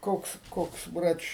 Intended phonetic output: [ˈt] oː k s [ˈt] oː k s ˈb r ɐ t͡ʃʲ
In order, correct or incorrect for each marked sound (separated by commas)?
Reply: incorrect, incorrect